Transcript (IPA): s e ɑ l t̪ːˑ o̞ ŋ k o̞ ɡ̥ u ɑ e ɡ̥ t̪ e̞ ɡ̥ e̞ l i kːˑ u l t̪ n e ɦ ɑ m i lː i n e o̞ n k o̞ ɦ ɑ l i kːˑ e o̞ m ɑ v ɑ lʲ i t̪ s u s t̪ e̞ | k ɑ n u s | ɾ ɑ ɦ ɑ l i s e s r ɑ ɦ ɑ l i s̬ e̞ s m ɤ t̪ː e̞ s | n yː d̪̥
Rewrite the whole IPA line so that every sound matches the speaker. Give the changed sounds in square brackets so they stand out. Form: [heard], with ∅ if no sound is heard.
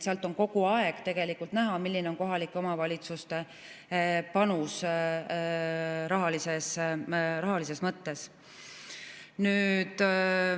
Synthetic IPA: s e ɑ l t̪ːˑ o̞ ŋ k o̞ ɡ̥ u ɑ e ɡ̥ t̪ e̞ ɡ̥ e̞ l i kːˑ u l t̪ n [æ] ɦ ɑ m i lː i n e o̞ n k o̞ ɦ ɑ l i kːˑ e o̞ m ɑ v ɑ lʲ i t̪ s u s t̪ e̞ | [p] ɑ n u s | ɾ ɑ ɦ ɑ l i s e s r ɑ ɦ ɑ l i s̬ e̞ s m ɤ t̪ː e̞ s | n yː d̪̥